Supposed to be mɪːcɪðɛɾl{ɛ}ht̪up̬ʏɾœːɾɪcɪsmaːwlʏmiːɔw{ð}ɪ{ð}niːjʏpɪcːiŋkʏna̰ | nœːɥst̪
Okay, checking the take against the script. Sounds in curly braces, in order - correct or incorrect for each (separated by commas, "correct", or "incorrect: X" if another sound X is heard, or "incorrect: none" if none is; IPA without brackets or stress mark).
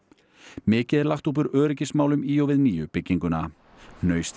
incorrect: a, incorrect: v, correct